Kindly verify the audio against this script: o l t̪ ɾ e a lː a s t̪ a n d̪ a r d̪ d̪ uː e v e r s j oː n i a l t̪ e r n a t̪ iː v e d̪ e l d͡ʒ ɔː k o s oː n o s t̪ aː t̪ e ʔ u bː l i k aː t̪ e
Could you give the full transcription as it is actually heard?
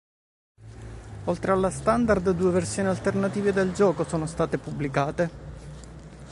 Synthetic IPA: o l t̪ ɾ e a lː a s t̪ a n d̪ a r d̪ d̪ uː e v e r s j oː n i a l t̪ e r n a t̪ iː v e d̪ e l d͡ʒ ɔː k o s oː n o s t̪ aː t̪ e p u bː l i k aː t̪ e